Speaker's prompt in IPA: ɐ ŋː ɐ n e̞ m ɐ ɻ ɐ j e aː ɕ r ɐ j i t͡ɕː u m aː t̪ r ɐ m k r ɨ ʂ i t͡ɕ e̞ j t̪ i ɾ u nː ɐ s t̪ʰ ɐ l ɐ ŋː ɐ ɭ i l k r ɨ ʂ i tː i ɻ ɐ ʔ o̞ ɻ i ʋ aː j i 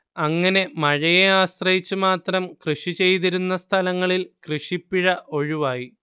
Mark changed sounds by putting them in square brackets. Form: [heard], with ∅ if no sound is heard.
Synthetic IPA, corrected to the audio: ɐ ŋː ɐ n e̞ m ɐ ɻ ɐ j e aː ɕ r ɐ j i t͡ɕː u m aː t̪ r ɐ m k r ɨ ʂ i t͡ɕ e̞ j t̪ i ɾ u nː ɐ s t̪ʰ ɐ l ɐ ŋː ɐ ɭ i l k r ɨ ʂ i [pː] i ɻ ɐ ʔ o̞ ɻ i ʋ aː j i